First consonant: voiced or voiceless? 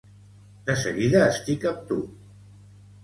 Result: voiced